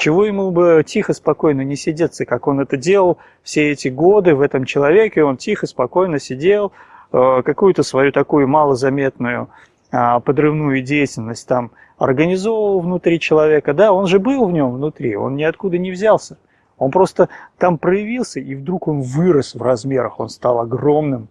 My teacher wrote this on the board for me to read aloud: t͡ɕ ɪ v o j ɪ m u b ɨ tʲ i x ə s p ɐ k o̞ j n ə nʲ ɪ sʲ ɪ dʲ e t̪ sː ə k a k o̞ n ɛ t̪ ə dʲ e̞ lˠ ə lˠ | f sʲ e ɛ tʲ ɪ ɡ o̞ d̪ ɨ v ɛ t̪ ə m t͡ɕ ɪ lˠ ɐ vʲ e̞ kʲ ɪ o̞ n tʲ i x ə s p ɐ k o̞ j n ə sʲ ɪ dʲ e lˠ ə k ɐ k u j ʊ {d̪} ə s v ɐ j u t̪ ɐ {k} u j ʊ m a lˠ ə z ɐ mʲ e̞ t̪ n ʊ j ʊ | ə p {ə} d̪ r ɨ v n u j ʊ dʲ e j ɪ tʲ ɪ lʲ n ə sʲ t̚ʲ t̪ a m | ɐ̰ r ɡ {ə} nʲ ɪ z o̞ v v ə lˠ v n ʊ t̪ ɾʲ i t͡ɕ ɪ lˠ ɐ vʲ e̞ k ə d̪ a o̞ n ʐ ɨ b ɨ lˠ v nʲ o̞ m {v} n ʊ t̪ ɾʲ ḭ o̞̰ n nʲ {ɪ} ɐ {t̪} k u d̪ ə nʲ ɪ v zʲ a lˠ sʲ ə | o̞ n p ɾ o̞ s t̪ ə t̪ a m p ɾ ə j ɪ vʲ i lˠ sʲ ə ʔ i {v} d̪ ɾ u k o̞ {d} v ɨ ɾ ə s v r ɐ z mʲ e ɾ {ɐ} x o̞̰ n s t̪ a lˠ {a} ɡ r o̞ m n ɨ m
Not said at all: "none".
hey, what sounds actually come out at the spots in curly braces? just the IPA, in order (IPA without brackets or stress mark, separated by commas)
t̪, k, ə, ə, v, ɪ, t̪, v, n, ə, ɐ